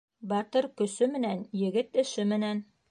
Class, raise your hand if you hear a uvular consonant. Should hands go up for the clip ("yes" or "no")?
no